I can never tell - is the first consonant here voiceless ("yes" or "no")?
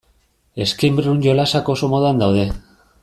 yes